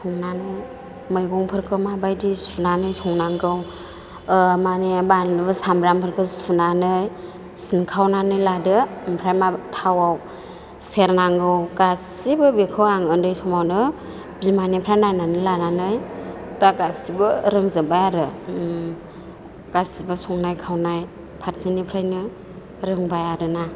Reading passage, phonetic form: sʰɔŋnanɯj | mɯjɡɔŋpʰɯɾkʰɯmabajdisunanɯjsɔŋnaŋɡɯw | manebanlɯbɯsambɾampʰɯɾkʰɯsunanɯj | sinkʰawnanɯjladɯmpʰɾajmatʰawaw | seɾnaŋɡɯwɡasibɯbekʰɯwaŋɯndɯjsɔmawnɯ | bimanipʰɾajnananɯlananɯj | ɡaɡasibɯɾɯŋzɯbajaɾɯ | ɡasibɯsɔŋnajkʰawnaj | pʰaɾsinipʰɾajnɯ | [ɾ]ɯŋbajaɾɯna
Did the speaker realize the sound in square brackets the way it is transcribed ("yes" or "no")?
yes